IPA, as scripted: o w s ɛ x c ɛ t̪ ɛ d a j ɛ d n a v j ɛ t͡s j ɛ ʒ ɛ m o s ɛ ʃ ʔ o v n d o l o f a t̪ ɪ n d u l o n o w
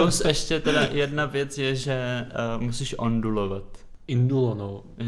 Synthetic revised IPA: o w s ɛ ʃ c ɛ t̪ ɛ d a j ɛ d n a v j ɛ t͡s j ɛ ʒ ɛ m u s i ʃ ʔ o n d u l o v a t̪ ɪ n d u l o n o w